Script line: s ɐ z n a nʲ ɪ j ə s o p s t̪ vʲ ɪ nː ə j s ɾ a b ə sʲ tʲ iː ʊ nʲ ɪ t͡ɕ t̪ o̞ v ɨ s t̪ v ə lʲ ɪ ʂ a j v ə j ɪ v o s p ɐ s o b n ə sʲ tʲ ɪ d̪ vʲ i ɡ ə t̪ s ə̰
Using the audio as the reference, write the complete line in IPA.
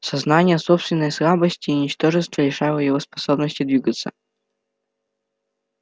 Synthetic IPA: s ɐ z n a nʲ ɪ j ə s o p s t̪ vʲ ɪ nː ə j s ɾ a b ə sʲ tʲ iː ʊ nʲ ɪ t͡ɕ t̪ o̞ ʐ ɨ s t̪ v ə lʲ ɪ ʂ a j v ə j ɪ v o s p ɐ s o b n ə sʲ tʲ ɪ d̪ vʲ i ɡ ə t̪ s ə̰